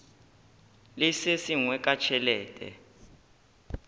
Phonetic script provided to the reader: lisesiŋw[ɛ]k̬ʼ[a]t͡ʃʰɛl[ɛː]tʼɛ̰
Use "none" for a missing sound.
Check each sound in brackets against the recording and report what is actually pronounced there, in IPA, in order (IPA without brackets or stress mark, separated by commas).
ɛ, a, ɛː